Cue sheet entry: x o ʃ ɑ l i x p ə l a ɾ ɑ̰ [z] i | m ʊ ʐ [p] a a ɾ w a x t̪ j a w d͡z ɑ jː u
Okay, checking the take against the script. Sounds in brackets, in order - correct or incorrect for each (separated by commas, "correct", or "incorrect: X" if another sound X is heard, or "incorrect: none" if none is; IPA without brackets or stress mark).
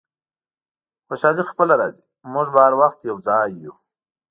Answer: correct, incorrect: b